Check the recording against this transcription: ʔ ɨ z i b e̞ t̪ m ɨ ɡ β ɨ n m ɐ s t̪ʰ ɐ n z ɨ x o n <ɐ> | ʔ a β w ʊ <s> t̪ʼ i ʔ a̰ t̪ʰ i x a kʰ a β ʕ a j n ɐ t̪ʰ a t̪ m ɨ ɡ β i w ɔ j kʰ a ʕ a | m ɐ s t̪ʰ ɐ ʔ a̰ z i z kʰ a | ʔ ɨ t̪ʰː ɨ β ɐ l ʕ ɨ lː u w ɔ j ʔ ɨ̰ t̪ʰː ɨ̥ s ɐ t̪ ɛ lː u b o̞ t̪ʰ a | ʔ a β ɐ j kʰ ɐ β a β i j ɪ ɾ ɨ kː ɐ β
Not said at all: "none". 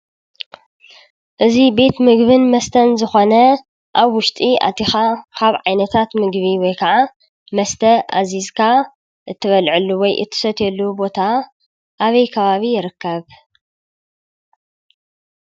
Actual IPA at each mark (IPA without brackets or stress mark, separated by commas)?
ɐ, ʃ